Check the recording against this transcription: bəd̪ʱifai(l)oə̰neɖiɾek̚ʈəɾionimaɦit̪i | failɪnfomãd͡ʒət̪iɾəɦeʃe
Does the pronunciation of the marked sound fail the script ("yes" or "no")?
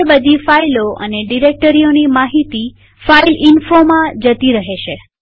no